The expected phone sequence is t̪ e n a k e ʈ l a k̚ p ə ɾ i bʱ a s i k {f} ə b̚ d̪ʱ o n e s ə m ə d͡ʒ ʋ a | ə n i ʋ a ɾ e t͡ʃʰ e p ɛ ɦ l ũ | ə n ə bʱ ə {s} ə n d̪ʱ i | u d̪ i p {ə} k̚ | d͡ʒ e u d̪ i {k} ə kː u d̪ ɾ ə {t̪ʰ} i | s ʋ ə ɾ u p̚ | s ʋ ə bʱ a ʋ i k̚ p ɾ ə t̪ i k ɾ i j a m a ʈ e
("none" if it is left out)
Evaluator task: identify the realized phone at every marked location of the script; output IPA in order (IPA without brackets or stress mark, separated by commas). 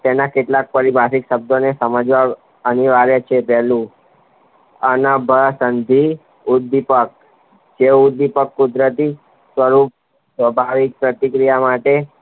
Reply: ʃ, s, ə, p, t̪